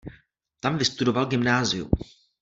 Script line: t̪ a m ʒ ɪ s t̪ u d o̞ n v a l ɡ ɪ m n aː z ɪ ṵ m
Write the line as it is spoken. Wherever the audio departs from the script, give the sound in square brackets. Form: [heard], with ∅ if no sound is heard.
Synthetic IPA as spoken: t̪ a m [v] ɪ s t̪ u d o̞ [∅] v a l ɡ ɪ m n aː z ɪ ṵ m

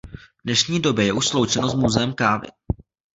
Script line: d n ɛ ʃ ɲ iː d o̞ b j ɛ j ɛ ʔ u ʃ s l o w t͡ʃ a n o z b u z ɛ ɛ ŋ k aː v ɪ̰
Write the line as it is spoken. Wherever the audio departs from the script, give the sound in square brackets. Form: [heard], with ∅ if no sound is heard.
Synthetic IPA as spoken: d n ɛ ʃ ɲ iː d o̞ b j ɛ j ɛ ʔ u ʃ s l o w t͡ʃ [ɛ] n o z [m] u z ɛ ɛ [m] k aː v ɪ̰

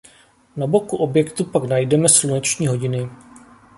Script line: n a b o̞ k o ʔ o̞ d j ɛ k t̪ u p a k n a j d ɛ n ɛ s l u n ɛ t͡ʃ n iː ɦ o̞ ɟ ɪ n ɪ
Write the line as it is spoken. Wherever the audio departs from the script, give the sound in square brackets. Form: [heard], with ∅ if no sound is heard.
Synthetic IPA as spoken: n a b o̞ k [u] ʔ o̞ [b] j ɛ k t̪ u p a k n a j d ɛ [m] ɛ s l u n ɛ t͡ʃ [ɲ] iː ɦ o̞ ɟ ɪ n ɪ

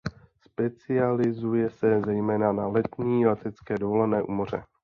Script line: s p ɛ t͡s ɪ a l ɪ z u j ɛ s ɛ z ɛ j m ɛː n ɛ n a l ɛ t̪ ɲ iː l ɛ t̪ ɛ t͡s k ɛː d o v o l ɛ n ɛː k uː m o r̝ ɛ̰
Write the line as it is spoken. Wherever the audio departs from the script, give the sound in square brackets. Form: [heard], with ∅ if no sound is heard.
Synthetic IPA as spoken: s p ɛ t͡s ɪ a l ɪ z u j ɛ s ɛ z ɛ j m ɛː n [a] n a l ɛ t̪ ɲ iː l ɛ t̪ ɛ t͡s k ɛː d o v o l ɛ n ɛː [ʔ] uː m o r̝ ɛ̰

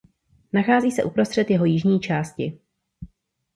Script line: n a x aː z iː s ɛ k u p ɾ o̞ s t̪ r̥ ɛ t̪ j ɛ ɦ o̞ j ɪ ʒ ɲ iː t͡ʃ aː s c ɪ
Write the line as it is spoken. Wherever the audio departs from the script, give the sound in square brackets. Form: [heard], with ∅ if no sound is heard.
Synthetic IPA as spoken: n a x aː z iː s ɛ [ʔ] u p ɾ o̞ s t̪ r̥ ɛ t̪ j ɛ ɦ o̞ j ɪ ʒ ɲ iː t͡ʃ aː s c ɪ

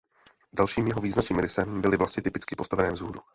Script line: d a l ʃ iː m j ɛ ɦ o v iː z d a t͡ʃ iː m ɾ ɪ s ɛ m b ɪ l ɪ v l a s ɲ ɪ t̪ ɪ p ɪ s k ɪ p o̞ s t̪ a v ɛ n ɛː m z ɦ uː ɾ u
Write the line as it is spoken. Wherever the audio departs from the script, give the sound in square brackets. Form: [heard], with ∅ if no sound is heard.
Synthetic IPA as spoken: d a l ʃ iː m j ɛ ɦ o v iː z [n] a t͡ʃ iː m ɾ ɪ s ɛ m b ɪ l ɪ v l a s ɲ ɪ t̪ ɪ p ɪ [t͡s] k ɪ p o̞ s t̪ a v ɛ n ɛː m z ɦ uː ɾ u

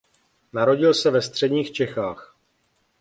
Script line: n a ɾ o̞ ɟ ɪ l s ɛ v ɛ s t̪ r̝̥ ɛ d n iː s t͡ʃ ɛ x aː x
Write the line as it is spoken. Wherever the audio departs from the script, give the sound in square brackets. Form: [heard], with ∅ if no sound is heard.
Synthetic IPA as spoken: n a ɾ o̞ ɟ ɪ l s ɛ v ɛ s t̪ r̝̥ ɛ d [ɲ] iː [x] t͡ʃ ɛ x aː x

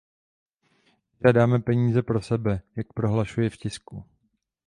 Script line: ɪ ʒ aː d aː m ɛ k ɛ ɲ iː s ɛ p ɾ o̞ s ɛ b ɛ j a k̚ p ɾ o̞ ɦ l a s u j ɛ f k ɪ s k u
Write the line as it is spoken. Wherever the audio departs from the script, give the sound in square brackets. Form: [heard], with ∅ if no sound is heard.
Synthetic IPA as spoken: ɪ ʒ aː d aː m ɛ [p] ɛ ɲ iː [z] ɛ p ɾ o̞ s ɛ b ɛ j a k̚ p ɾ o̞ ɦ l a [ʃ] u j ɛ f [c] ɪ s k u

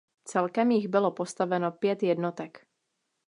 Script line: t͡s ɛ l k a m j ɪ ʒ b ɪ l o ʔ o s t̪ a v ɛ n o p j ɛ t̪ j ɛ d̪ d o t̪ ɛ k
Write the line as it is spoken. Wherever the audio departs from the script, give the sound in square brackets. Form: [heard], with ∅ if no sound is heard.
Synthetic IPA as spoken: t͡s ɛ l k [ɛ] m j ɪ [ɣ] b ɪ l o [p] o s t̪ a v ɛ n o p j ɛ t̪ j ɛ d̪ [n] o t̪ ɛ k

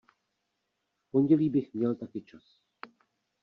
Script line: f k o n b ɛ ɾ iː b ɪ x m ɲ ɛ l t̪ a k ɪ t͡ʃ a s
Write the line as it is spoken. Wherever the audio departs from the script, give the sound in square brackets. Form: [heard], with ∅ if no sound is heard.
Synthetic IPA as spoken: f [p] o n [ɟ] ɛ [l] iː b ɪ x m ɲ ɛ l t̪ a k ɪ t͡ʃ a s

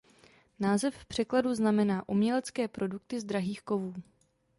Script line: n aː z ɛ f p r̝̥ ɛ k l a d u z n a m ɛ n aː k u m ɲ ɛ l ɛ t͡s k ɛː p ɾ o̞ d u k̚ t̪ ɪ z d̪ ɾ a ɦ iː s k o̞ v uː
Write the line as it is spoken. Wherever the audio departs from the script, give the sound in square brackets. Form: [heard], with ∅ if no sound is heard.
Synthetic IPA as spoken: n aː z ɛ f p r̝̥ ɛ k l a d u z n a m ɛ n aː [ʔ] u m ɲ ɛ l ɛ t͡s k ɛː p ɾ o̞ d u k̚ t̪ ɪ z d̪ ɾ a ɦ iː [x] k o̞ v uː

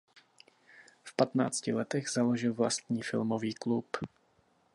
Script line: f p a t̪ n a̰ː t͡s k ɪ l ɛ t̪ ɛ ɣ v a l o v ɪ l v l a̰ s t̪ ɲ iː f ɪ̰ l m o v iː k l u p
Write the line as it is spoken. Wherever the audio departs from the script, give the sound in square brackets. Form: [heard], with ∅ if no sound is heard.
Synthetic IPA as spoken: f p a t̪ n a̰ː t͡s [c] ɪ l ɛ t̪ ɛ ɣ [z] a l o [ʒ] ɪ l v l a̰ s t̪ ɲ iː f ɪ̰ l m o v iː k l u p

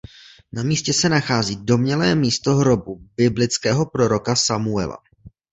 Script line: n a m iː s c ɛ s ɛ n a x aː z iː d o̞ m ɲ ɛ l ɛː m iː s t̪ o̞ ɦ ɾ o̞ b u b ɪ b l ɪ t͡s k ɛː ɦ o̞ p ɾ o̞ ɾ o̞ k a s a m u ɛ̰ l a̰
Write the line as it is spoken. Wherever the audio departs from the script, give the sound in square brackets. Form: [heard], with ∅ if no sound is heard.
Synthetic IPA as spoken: n a m iː s c ɛ s ɛ n a x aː z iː d o̞ m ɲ ɛ l ɛː m iː s t̪ o̞ ɦ ɾ o̞ b u b ɪ b l ɪ t͡s k ɛː ɦ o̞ p ɾ o̞ ɾ o̞ k a s a m u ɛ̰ l a̰

